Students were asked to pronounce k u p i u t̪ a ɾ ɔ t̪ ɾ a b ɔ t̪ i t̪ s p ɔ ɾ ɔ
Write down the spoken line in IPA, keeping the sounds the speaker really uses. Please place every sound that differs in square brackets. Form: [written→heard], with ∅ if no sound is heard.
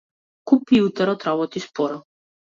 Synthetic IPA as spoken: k u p i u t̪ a ɾ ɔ t̪ ɾ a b ɔ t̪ i [t̪→∅] s p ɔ ɾ ɔ